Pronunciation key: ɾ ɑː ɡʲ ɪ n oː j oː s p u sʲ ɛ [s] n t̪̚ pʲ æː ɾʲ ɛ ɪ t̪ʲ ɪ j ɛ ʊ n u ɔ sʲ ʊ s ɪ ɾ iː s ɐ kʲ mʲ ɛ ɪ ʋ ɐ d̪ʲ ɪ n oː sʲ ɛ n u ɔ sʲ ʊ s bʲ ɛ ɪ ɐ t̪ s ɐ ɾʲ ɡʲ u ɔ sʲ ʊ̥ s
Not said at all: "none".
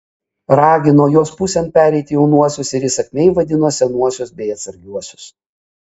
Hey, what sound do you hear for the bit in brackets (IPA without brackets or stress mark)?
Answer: none